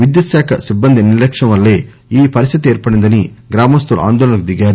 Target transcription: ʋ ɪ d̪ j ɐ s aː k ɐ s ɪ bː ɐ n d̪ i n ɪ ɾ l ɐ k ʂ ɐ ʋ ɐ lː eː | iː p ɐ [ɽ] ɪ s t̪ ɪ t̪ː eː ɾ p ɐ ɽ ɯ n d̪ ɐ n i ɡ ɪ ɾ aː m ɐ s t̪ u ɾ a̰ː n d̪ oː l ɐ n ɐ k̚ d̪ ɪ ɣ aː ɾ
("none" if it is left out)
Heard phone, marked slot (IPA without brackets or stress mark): ɾ